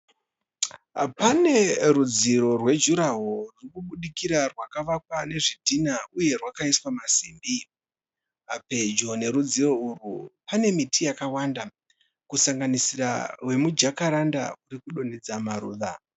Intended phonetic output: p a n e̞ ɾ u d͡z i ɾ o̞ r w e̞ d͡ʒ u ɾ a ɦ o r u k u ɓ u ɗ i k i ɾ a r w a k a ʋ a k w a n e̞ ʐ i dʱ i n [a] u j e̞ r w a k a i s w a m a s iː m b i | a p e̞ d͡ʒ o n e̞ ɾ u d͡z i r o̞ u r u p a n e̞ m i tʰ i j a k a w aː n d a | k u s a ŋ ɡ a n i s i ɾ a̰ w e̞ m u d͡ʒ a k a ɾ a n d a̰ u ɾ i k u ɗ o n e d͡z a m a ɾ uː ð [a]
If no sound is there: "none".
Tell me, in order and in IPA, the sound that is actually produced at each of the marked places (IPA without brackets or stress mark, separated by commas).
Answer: a, a